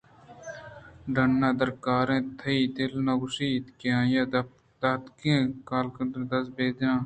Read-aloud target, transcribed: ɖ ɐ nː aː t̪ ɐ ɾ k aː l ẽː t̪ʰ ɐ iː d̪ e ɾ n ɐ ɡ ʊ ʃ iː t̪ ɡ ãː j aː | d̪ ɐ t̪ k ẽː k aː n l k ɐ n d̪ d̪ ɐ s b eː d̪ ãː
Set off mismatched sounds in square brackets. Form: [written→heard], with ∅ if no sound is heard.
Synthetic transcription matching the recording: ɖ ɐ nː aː [t̪→d̪] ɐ ɾ k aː [l→ɾ] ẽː t̪ʰ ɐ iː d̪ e [ɾ→l] n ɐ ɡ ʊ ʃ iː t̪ [ɡ→k] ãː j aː | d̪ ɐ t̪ k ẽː k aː [n→∅] l k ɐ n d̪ d̪ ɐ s b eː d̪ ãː